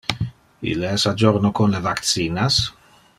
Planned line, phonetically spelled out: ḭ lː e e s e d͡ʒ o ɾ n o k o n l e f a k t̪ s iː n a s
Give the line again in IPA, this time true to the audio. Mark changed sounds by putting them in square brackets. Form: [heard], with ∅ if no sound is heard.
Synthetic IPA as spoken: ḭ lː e [ɛ] s [a] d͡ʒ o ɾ n o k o n l e [v] a k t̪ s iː n a s